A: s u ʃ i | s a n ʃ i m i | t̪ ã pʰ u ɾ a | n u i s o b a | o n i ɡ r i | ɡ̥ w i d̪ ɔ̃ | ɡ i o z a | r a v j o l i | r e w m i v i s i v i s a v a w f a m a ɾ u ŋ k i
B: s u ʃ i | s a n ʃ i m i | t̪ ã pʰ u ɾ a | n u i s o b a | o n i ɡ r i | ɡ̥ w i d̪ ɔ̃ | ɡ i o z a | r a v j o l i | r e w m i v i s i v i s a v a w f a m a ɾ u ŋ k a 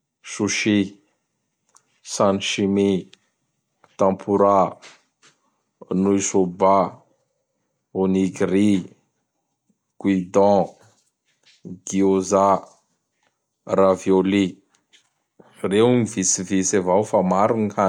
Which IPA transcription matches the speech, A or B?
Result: B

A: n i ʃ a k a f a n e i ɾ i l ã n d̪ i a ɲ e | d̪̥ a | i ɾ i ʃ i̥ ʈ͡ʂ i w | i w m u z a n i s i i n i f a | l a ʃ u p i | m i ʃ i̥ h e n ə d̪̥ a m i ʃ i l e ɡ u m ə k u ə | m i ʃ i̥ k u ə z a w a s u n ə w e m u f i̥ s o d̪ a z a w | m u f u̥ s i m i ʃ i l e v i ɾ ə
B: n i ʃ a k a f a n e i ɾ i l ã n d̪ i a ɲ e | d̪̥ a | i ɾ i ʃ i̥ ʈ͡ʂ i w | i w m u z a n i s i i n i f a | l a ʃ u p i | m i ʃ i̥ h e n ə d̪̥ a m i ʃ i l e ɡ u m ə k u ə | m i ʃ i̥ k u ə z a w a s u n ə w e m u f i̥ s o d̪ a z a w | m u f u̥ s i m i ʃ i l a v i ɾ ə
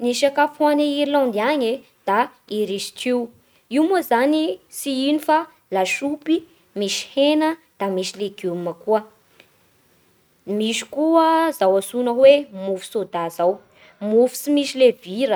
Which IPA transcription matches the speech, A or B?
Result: A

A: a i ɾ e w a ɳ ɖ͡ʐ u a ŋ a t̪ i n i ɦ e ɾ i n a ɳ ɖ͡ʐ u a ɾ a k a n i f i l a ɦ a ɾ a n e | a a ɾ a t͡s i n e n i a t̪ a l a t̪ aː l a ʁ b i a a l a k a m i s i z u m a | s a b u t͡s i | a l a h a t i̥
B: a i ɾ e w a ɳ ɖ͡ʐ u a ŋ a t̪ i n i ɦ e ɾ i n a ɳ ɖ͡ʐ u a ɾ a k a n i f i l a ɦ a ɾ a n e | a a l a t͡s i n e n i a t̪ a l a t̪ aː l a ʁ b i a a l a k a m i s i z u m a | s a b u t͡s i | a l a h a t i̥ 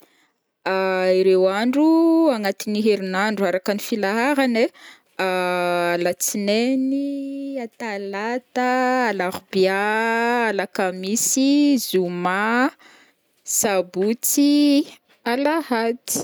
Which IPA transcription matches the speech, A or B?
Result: B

